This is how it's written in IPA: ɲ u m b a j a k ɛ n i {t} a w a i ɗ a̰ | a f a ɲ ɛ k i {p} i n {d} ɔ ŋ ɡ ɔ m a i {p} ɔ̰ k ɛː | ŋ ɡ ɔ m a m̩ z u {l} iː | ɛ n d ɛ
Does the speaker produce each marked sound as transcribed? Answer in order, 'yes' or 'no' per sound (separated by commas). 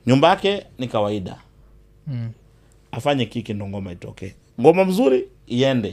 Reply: no, no, yes, no, no